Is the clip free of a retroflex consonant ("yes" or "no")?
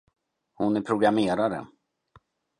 yes